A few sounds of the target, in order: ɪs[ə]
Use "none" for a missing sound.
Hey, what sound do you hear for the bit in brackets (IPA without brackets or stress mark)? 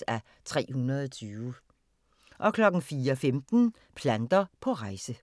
ə